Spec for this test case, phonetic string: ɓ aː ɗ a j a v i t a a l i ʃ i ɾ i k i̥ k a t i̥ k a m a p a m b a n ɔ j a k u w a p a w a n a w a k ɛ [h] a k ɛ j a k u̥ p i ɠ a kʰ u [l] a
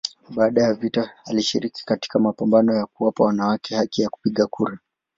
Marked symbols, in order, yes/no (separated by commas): yes, no